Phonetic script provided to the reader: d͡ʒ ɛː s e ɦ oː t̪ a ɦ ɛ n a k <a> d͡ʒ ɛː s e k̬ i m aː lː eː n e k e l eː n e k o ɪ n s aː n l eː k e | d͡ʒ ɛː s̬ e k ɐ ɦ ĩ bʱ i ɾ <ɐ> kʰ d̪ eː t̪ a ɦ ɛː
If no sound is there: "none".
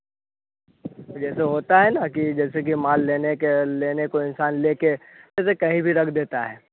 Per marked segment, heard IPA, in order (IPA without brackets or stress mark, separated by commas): i, ɐ